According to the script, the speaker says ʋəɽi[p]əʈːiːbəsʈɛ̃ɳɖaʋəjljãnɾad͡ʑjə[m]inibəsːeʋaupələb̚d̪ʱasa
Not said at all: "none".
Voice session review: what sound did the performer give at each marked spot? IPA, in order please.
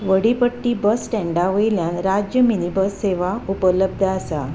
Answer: p, m

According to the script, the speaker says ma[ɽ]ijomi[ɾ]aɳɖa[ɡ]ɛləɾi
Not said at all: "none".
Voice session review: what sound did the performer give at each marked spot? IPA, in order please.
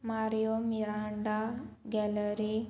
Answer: ɾ, ɾ, ɡ

